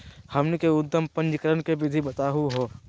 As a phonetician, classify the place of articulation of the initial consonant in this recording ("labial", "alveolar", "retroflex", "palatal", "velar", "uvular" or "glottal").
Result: glottal